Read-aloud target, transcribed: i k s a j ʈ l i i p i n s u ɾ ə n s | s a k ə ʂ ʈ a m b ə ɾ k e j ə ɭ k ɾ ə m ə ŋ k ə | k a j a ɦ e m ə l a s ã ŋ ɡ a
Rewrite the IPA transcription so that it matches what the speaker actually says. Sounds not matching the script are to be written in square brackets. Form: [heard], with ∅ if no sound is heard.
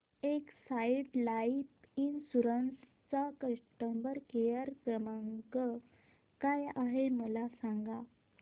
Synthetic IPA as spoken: [e] k s a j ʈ l [a] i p i n s u ɾ ə n s | [t͡s] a k ə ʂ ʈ [ə] m b ə ɾ k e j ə [ɾ] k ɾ ə m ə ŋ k ə | k a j a ɦ e m ə l a s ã ŋ ɡ a

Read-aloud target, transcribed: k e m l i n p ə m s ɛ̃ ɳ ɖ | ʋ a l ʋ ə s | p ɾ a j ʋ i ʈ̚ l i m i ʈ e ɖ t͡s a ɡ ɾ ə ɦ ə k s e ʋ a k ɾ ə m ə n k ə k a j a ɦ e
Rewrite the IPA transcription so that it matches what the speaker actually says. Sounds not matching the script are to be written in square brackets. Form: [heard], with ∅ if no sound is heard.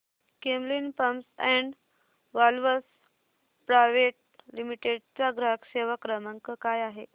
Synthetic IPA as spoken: k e m l i n p ə m s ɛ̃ ɳ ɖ | ʋ a l ʋ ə s | p ɾ a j ʋ [e] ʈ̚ l i m i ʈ e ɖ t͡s a ɡ ɾ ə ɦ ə k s e ʋ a k ɾ ə m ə [ŋ] k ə k a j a ɦ e

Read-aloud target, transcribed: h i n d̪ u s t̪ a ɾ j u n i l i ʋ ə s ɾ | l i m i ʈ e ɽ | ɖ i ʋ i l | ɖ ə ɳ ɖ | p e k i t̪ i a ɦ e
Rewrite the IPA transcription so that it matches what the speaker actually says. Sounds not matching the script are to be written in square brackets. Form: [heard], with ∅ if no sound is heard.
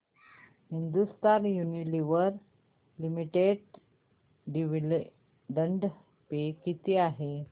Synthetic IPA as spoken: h i n d̪ u s t̪ a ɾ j u n i l i ʋ ə [∅] ɾ | l i m i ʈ e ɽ | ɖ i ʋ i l | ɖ ə ɳ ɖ | p e k i t̪ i a ɦ e

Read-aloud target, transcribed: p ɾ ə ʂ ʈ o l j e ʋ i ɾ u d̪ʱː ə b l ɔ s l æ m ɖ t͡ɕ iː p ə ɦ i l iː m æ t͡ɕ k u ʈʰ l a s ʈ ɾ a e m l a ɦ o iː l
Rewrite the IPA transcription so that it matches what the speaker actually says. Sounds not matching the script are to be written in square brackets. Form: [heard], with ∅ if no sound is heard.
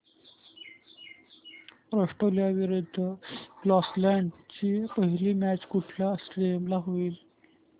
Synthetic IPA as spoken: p ɾ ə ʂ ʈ o l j [a] ʋ i ɾ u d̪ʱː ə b l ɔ s l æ [ɳ] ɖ t͡ɕ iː p ə ɦ i l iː m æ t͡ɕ k u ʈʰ l a s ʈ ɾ [i] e m l a ɦ o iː l

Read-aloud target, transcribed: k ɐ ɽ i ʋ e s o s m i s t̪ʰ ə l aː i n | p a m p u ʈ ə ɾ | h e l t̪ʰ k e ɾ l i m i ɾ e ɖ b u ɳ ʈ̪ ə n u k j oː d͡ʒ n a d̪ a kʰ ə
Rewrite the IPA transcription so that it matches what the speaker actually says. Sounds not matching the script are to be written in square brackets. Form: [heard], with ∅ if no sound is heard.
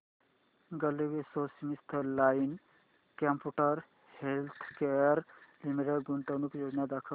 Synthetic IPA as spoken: [ɡ] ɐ [l] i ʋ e s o s m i s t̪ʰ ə l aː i n | [k] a m p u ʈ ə ɾ | h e l t̪ʰ k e ɾ l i m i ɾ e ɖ [ɡ] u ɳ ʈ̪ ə n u k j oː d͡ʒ n a d̪ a kʰ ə

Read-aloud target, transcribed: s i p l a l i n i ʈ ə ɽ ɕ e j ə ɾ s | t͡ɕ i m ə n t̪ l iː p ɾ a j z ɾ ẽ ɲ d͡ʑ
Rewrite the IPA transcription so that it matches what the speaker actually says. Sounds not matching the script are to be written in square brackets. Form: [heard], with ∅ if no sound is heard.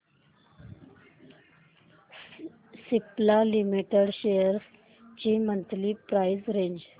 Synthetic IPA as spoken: s i p l a l i [m] i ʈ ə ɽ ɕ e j ə ɾ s | t͡ɕ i m ə n t̪ l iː p ɾ a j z ɾ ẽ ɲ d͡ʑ

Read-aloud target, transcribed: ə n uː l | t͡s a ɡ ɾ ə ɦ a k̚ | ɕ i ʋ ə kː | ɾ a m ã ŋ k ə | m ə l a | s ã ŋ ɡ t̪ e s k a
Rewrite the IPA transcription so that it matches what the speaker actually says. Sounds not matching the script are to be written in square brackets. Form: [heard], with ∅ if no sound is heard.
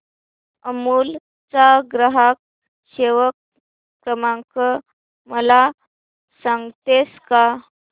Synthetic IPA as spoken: ə [m] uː l | t͡s a ɡ ɾ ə ɦ a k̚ | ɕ [e] ʋ ə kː | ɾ [ə] m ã ŋ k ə | m ə l a | s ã ŋ ɡ t̪ e s k a

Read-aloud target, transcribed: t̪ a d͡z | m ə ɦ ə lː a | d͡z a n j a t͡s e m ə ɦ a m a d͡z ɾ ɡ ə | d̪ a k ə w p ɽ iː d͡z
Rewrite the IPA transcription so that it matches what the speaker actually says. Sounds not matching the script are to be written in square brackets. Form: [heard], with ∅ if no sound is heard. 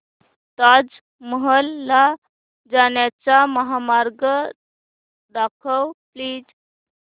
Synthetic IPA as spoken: t̪ a d͡z | m ə ɦ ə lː a | d͡z a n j a t͡s [a] m ə ɦ a m a [∅] ɾ ɡ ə | d̪ a [kʰ] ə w p [l] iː d͡z

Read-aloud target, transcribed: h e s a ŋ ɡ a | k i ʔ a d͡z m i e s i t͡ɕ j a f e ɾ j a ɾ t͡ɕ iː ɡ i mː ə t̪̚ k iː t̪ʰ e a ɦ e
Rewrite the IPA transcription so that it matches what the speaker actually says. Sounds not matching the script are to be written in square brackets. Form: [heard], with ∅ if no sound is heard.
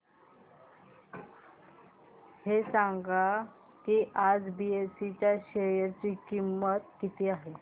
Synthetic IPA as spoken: h e s a ŋ ɡ a | k i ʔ a d͡z [b] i e s i t͡ɕ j a [ɕ] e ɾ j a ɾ t͡ɕ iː [k] i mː ə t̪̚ k [i] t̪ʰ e a ɦ e

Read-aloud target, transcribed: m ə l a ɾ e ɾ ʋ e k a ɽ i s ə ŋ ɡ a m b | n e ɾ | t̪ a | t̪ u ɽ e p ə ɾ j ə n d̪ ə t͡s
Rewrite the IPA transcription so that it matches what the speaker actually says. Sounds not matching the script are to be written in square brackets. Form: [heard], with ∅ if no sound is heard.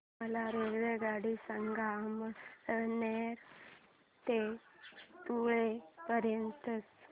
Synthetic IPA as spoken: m ə l a ɾ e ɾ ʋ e [ɡ] a ɽ i s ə ŋ ɡ a m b | n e ɾ | t̪ [e] | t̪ u [ɭ] e p ə ɾ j ə n [t̪] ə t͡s

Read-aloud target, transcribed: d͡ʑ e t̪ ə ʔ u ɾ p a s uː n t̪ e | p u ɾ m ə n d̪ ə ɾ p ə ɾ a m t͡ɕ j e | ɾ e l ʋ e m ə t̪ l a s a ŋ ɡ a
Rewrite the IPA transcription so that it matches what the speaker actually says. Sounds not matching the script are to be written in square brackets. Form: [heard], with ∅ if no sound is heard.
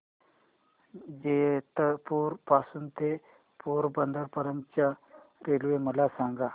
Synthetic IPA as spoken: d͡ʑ e t̪ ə [p] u ɾ p a s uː n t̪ e | p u ɾ [b] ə n d̪ ə ɾ p ə ɾ [ə] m t͡ɕ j [a] | ɾ e l ʋ e m ə [∅] l a s a ŋ ɡ a

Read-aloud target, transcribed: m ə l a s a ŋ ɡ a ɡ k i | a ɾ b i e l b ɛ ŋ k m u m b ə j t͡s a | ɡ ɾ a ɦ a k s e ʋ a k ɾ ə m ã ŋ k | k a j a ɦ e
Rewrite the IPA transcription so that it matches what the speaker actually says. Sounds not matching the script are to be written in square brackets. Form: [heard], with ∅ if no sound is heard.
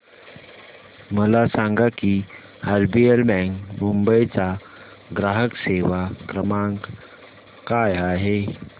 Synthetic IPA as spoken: m ə l a s a ŋ ɡ a [∅] k i | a ɾ b i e l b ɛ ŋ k m u m b ə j t͡s a | ɡ ɾ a ɦ [ə] k s e ʋ a k ɾ ə m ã ŋ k | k a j a ɦ e

